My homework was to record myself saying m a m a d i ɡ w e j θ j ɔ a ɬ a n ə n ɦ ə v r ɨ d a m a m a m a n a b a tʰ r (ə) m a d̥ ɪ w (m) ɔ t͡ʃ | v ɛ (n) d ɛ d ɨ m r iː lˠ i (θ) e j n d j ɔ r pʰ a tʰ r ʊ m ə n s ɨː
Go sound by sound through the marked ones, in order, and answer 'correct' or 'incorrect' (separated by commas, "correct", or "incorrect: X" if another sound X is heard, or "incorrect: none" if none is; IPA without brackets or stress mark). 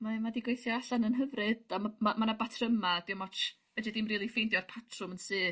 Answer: correct, correct, incorrect: none, incorrect: f